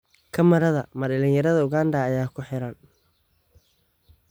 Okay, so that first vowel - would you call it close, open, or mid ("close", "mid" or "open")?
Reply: open